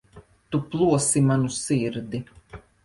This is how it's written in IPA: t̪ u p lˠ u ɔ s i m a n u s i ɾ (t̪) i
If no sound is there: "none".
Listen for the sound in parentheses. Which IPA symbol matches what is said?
d̪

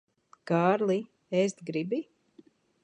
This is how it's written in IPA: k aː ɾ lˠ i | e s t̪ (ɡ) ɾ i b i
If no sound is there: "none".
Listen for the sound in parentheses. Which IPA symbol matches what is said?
ɡ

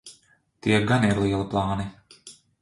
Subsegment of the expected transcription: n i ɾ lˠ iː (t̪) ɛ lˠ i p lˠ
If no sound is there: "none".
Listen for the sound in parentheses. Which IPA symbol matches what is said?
none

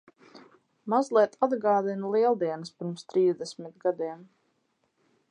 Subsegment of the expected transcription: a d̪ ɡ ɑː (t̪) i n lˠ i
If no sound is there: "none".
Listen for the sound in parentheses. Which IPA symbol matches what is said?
d̪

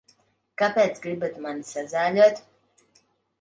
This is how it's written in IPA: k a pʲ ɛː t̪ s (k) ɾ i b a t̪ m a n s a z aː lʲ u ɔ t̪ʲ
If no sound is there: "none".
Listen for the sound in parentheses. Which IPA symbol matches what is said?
ɡ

